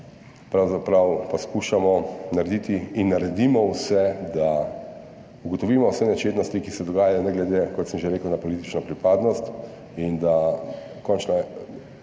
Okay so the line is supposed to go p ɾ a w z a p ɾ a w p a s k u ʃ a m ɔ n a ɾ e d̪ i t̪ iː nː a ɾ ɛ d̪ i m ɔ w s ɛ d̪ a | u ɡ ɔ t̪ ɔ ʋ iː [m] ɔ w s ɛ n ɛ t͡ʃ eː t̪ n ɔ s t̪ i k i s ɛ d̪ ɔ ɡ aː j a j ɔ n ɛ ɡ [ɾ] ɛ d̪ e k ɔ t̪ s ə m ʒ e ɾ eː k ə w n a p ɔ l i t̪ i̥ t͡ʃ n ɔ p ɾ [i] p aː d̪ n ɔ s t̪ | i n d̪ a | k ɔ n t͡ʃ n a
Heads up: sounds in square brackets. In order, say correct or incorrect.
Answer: correct, incorrect: l, correct

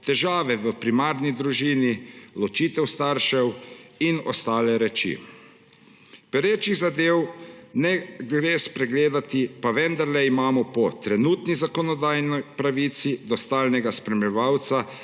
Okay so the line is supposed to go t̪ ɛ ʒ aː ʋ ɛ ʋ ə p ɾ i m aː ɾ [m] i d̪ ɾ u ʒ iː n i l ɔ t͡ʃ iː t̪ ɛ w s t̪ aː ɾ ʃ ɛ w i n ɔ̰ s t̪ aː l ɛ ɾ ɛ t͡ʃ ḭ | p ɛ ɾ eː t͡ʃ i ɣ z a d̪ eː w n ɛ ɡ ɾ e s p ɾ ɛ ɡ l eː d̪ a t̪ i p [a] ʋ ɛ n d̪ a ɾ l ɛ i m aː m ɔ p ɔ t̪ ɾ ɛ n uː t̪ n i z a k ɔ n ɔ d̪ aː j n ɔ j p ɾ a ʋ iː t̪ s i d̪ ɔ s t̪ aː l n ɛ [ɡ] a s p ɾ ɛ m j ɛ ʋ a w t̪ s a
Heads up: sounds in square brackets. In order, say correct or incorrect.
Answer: incorrect: n, correct, correct

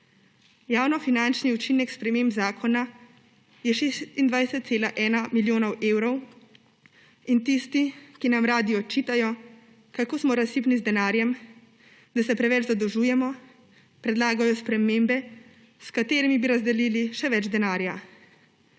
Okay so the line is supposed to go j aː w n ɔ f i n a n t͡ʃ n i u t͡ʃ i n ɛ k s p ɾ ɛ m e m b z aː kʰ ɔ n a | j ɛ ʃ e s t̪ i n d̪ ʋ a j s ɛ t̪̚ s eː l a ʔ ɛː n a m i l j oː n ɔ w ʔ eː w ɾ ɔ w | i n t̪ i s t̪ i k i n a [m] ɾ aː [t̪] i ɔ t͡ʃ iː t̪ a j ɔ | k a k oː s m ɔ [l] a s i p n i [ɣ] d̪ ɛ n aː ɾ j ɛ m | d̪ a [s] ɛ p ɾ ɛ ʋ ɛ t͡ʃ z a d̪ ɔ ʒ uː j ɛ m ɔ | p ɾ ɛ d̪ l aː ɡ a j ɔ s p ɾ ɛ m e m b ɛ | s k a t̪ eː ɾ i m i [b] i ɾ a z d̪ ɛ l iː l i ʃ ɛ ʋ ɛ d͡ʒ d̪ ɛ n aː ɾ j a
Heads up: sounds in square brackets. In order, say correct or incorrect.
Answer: correct, incorrect: d̪, incorrect: ɾ, incorrect: z, correct, correct

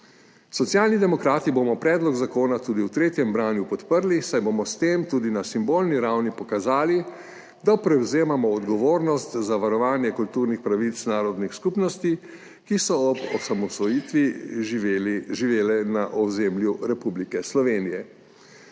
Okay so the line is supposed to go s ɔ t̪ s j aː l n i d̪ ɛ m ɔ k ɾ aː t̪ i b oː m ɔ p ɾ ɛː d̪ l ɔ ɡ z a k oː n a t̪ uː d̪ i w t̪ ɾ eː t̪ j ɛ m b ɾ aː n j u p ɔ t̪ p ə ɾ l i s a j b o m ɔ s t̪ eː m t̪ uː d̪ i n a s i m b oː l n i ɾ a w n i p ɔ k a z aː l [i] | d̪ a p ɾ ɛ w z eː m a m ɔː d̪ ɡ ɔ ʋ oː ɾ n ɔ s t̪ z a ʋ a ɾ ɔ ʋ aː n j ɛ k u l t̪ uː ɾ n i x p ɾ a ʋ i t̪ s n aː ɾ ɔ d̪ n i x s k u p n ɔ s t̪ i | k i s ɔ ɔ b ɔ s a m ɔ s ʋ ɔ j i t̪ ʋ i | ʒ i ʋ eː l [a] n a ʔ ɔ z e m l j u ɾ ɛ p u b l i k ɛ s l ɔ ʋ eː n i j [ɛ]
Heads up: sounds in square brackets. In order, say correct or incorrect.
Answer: correct, incorrect: ɛ, correct

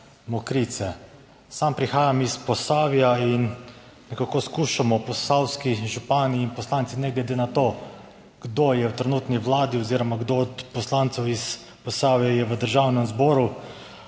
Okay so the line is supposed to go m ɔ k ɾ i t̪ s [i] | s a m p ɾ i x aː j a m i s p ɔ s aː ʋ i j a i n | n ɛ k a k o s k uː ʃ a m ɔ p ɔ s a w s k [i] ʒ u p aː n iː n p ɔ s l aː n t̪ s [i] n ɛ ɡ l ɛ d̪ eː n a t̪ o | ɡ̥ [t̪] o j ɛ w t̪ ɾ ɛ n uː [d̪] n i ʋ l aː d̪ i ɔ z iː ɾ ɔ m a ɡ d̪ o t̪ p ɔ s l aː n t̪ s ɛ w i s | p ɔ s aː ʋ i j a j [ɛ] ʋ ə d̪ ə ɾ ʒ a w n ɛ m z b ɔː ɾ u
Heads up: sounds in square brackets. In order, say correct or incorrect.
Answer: incorrect: ɛ, correct, correct, incorrect: d̪, incorrect: t̪, correct

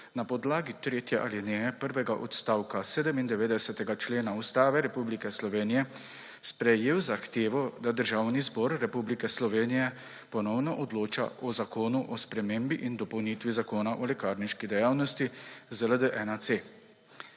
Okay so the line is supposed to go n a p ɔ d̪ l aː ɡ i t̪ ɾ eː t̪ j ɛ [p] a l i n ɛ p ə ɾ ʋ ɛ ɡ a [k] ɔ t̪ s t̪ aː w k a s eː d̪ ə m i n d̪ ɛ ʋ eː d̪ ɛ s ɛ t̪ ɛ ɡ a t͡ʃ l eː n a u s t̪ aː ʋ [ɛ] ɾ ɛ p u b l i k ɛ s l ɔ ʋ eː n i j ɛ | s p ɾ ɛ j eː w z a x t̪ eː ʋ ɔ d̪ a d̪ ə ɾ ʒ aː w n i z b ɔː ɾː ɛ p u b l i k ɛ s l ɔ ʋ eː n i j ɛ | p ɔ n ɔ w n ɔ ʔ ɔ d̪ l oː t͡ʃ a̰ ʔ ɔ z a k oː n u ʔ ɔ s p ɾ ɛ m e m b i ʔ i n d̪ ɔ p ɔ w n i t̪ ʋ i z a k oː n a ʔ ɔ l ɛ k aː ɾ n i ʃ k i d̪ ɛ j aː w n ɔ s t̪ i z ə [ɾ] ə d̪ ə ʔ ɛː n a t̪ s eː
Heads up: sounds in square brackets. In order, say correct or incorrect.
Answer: incorrect: ʔ, incorrect: ʔ, correct, incorrect: l

